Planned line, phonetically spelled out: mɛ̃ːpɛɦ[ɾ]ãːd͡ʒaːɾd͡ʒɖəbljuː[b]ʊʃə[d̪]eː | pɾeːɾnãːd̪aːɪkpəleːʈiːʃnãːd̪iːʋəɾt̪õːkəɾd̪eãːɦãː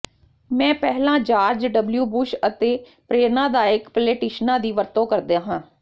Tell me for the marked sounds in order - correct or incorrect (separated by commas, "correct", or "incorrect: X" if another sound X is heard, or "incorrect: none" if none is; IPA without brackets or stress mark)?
incorrect: l, correct, incorrect: t̪